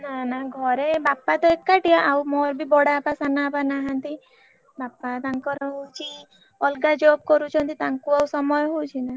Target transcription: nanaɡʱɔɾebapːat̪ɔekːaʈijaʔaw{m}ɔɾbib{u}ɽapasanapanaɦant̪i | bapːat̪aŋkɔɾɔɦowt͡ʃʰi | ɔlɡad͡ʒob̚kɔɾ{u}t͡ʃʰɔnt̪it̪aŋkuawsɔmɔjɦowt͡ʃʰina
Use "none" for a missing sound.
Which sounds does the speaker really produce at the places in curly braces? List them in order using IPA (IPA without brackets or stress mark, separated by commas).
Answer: m, ɔ, u